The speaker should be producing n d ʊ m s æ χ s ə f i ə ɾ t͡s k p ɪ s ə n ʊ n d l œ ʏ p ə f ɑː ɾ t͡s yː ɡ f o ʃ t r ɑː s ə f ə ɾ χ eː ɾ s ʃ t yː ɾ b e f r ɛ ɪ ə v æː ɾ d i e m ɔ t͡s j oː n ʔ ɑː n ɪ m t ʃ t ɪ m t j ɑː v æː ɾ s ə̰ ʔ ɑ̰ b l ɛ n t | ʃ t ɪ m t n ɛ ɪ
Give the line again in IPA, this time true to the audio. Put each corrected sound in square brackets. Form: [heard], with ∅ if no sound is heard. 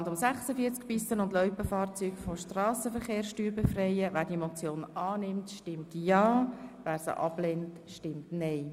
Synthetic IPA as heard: n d ʊ m s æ χ s ə f i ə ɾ t͡s k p ɪ s ə n ʊ n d l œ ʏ p ə f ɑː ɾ t͡s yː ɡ f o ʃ t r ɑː s ə f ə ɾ χ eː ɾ s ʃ t yː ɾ b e f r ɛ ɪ ə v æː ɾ d i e m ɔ t͡s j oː n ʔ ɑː n ɪ m t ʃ t ɪ m t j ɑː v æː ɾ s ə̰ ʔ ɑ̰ b l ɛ n t | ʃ t ɪ m t n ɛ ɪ